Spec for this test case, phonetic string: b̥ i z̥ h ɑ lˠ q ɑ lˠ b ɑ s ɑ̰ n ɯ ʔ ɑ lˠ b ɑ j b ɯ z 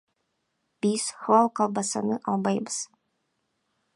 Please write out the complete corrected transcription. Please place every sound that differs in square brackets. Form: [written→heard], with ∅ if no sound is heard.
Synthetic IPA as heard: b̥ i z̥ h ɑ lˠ q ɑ lˠ b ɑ s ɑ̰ n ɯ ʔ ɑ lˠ b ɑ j b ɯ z